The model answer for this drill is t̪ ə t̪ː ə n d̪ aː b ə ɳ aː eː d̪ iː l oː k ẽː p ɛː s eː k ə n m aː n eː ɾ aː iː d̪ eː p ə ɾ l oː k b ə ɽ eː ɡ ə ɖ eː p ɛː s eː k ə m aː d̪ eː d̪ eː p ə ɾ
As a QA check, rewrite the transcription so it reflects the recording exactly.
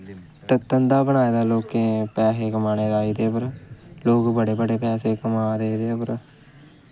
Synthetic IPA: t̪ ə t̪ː ə n d̪ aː b ə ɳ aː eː d̪ aː l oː k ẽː p ɛː s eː k ə m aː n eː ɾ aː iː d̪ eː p ə ɾ l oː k b ə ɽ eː b ə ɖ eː p ɛː s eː k ə m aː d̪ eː d̪ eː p ə ɾ